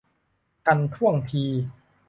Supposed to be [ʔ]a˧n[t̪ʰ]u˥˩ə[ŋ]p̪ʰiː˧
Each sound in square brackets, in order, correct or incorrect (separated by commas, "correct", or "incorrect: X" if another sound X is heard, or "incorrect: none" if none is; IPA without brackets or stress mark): incorrect: k, correct, correct